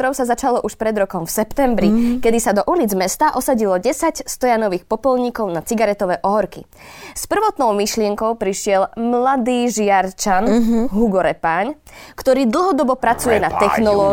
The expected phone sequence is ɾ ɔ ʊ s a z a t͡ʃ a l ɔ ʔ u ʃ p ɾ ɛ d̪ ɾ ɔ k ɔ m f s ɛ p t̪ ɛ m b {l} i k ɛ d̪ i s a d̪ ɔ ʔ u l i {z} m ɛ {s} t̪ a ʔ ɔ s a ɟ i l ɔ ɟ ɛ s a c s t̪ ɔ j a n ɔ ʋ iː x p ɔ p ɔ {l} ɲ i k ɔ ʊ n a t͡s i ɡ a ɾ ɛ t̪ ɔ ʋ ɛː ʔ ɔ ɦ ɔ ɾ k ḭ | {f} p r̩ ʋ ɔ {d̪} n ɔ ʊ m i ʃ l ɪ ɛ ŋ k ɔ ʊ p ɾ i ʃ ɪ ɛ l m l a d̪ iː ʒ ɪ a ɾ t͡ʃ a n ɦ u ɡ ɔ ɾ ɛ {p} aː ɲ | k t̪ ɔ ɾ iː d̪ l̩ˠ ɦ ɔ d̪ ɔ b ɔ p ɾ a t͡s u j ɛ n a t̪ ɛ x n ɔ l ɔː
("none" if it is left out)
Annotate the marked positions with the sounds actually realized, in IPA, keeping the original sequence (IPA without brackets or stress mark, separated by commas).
ɾ, d͡z, s, l, s, t̪, p